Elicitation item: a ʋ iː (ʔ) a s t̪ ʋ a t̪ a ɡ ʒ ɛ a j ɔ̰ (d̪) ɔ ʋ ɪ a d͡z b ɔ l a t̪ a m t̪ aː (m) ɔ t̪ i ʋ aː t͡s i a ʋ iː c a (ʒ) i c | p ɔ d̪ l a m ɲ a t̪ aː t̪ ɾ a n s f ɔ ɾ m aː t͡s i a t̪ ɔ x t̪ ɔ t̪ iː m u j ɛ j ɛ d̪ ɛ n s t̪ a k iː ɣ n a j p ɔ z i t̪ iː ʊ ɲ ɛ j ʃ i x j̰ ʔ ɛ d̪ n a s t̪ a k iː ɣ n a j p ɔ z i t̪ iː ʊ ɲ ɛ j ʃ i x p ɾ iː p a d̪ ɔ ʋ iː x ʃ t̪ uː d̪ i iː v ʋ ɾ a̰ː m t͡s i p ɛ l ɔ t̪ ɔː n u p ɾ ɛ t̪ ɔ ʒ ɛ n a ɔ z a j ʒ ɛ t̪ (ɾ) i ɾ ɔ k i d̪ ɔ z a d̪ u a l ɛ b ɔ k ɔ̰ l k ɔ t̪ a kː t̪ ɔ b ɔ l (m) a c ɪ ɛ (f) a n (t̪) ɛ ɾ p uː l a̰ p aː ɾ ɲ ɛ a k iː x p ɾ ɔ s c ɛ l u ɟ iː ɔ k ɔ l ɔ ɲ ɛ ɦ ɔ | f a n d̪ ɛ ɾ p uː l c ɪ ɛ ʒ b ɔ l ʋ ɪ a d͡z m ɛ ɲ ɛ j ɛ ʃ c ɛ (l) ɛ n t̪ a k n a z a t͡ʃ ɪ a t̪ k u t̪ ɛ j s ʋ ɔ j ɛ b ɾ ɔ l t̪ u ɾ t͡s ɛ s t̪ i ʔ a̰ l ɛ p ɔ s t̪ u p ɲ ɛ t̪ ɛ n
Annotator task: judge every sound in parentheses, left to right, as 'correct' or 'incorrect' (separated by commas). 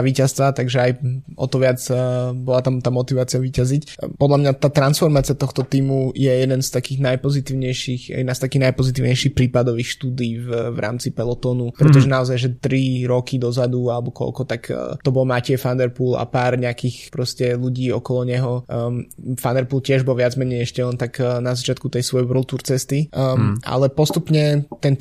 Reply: incorrect, incorrect, correct, incorrect, correct, correct, correct, incorrect, correct